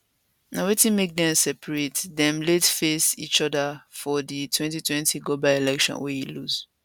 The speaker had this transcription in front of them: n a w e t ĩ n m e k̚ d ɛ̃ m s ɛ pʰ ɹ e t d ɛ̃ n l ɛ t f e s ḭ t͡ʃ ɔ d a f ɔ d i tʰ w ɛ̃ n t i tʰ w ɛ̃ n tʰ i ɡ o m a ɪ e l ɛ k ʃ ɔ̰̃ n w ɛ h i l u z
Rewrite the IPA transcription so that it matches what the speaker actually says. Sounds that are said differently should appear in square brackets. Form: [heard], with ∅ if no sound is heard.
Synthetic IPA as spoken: n a w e t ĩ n m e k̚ d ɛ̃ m s ɛ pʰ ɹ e t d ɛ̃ [m] l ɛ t f e s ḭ t͡ʃ ɔ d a f ɔ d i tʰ w ɛ̃ n t i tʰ w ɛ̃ n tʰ i ɡ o [b] a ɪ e l ɛ k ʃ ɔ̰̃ n w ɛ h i l u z